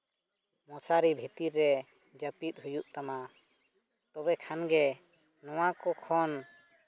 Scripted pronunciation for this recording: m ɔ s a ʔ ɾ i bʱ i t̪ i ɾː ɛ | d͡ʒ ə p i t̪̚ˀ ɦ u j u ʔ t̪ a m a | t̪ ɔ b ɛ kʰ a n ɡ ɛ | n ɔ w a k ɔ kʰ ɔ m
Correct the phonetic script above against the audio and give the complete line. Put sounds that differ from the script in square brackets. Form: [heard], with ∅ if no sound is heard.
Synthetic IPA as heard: m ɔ s a [∅] ɾ i bʱ i t̪ i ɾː ɛ | d͡ʒ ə p i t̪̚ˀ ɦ u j u ʔ t̪ a m a | t̪ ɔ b ɛ kʰ a n ɡ ɛ | n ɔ w a k ɔ kʰ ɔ [n]